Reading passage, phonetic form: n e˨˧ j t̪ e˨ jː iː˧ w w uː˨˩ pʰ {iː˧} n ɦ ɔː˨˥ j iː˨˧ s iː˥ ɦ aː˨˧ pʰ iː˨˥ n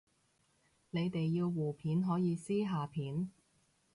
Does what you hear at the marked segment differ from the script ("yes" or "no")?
yes